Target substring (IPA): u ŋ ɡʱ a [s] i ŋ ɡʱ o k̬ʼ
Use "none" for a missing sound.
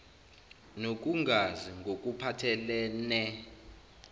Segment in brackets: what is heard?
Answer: z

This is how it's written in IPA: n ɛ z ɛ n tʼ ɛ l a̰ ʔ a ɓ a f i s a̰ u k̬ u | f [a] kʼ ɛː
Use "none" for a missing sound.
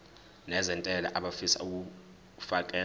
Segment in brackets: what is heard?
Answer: a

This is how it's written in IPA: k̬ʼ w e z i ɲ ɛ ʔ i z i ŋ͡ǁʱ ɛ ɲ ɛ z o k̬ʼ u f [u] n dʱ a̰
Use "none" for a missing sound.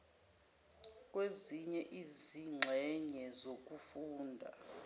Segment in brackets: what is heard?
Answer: uː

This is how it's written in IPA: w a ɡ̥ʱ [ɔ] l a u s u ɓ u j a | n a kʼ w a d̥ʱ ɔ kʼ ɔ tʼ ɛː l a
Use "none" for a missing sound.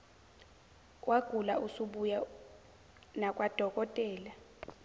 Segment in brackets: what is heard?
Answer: u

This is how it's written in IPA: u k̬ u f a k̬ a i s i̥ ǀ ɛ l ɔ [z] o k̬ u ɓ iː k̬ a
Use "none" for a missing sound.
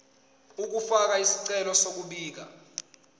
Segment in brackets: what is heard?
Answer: s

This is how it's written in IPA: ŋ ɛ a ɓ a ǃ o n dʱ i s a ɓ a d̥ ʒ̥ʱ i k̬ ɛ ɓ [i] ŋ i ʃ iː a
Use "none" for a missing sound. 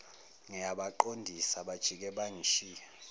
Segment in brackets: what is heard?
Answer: a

